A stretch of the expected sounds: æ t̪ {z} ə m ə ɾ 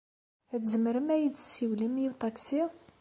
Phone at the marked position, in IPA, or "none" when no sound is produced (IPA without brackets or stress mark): z